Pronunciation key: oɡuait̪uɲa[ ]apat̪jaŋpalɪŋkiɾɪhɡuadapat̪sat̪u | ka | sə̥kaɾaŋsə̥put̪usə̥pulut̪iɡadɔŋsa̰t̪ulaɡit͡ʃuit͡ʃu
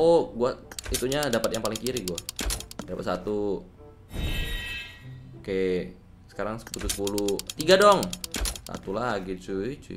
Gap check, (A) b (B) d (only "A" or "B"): B